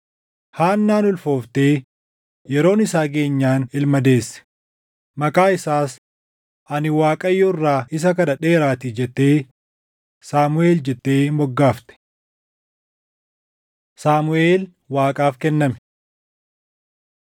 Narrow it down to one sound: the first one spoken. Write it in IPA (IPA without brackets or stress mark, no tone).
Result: h